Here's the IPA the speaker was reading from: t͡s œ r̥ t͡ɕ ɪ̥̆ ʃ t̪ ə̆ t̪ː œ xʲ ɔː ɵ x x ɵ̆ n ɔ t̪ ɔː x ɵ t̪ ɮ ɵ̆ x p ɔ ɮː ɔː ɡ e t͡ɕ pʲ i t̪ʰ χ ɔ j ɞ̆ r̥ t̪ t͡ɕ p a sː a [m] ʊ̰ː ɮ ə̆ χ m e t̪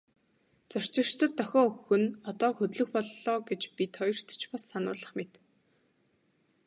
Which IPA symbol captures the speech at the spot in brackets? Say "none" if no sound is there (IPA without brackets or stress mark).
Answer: n